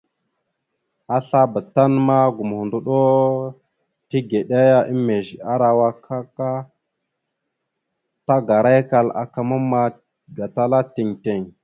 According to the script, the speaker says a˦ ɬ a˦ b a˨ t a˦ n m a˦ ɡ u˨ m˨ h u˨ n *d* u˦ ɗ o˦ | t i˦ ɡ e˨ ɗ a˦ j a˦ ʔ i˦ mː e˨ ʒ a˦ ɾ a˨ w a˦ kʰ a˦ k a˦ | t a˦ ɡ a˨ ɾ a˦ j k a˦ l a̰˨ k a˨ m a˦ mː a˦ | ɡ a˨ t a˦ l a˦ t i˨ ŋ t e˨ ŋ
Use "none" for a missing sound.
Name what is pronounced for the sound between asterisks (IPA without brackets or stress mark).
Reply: d